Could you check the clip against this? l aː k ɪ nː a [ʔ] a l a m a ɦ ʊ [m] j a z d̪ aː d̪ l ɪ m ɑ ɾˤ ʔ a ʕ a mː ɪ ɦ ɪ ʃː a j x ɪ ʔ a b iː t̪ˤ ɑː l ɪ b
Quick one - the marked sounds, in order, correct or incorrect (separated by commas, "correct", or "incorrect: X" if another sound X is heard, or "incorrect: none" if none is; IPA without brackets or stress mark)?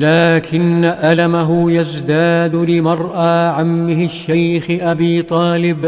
correct, incorrect: none